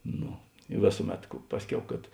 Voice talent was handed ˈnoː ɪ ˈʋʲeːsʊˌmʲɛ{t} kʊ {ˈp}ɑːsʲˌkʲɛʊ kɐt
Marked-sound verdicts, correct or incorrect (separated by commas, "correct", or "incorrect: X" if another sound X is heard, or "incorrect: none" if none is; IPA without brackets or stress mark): correct, correct